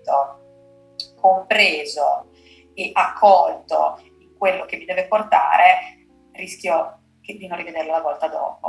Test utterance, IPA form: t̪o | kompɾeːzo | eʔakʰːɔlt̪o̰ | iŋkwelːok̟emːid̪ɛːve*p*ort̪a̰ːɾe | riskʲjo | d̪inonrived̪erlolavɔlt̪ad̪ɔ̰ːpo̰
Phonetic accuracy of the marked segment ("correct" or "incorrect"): correct